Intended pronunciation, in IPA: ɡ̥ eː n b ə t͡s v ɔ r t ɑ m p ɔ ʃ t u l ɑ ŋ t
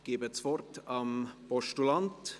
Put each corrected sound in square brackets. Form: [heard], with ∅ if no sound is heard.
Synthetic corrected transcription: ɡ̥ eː [∅] b ə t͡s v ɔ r t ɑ m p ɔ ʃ t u l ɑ [n] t